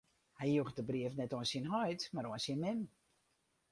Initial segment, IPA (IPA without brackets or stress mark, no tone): h